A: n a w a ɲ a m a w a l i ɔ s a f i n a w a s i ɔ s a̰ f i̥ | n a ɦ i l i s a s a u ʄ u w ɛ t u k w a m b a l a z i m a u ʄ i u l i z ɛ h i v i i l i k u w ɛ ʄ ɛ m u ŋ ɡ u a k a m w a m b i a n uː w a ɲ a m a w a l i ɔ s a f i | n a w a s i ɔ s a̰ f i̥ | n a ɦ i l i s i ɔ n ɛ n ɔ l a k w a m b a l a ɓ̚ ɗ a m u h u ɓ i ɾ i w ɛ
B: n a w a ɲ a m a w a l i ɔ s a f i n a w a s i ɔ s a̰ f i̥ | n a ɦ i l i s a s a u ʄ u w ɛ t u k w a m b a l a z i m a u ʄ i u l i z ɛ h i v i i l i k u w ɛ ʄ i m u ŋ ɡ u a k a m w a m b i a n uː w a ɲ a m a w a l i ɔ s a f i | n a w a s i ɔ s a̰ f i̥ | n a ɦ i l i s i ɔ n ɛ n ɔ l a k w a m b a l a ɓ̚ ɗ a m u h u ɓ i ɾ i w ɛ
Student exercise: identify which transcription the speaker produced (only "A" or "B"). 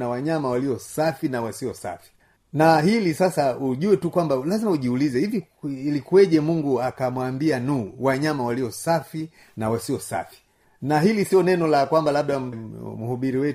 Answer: A